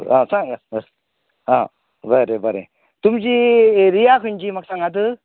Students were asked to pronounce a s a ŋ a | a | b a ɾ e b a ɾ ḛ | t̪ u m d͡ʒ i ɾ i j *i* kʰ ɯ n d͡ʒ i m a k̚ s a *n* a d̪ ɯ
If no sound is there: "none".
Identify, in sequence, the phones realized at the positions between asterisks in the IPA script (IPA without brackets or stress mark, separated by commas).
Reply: a, ŋ